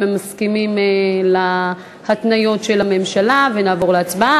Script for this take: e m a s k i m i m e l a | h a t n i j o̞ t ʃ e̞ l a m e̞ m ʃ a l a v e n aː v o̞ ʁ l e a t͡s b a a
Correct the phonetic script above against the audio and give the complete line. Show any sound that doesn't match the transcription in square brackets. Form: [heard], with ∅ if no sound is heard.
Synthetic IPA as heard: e m a s k i m i m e l a | h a t n [a] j o̞ t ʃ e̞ l a m e̞ m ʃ a l a v e n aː v o̞ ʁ l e a t͡s b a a